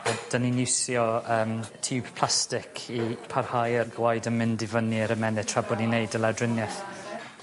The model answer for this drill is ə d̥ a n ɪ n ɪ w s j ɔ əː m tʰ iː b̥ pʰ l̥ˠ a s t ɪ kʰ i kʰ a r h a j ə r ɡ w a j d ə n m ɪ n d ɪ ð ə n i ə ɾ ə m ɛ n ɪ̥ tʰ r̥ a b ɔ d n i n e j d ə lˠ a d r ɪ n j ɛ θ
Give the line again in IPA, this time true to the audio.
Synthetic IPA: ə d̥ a n i n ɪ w s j ɔ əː m tʰ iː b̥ pʰ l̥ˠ a s t ɪ kʰ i pʰ a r h a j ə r ɡ w a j d ə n m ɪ n d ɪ v ə n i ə ɾ ə m ɛ n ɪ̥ tʰ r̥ a b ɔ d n i n e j d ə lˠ a d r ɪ n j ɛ θ